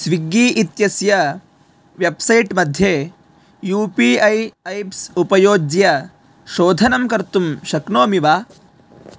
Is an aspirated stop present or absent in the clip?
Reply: absent